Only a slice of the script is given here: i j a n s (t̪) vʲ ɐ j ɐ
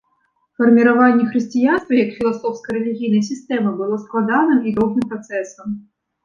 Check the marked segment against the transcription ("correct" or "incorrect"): correct